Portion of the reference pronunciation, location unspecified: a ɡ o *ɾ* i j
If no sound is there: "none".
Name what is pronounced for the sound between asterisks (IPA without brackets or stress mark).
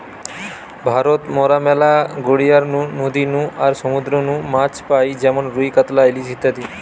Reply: ɽ